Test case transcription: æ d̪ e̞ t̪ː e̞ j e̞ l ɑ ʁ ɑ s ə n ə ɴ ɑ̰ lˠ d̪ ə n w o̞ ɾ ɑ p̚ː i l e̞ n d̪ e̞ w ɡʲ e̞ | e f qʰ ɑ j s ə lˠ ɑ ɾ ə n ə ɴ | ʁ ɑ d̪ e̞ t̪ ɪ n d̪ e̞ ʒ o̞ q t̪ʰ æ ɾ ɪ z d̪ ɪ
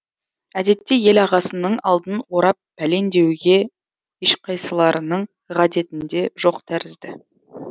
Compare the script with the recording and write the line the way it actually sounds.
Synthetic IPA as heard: æ d̪ e̞ t̪ː e̞ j e̞ l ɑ ʁ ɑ s ə n ə ɴ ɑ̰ lˠ d̪ ə n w o̞ ɾ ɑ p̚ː æ l e̞ n d̪ e̞ w ɡʲ e̞ | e ʃ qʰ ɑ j s ə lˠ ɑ ɾ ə n ə ɴ | ʁ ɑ d̪ e̞ t̪ ɪ n d̪ e̞ ʒ o̞ q t̪ʰ æ ɾ ɪ z d̪ ɪ